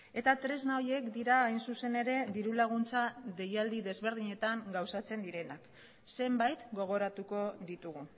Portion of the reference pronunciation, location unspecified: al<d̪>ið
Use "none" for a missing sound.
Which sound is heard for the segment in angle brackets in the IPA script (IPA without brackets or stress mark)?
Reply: d̪